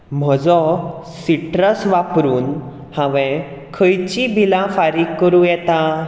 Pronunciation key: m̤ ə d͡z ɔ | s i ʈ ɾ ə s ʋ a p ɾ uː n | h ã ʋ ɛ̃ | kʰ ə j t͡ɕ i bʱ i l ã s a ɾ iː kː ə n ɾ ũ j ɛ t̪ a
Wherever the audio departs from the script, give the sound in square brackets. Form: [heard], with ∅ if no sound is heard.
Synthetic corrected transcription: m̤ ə d͡z ɔ | s i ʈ ɾ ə s ʋ a p ɾ uː n | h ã ʋ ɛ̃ | kʰ ə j t͡ɕ i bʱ i l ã [f] a ɾ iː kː ə [∅] ɾ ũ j ɛ t̪ a